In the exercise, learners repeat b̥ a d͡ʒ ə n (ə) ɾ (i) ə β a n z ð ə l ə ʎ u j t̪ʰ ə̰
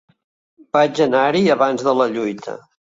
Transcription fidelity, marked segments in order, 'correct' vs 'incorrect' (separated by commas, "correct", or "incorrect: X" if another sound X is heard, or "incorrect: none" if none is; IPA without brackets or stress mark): incorrect: a, correct